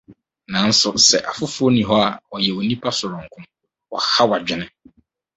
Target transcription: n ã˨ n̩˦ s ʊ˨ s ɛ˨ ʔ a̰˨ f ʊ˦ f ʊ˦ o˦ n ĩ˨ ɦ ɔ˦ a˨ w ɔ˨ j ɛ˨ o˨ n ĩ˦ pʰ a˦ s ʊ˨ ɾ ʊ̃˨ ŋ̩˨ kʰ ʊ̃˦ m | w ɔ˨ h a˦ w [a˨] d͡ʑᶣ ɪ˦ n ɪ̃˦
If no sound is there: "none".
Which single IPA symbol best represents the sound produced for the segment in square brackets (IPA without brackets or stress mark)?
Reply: a˨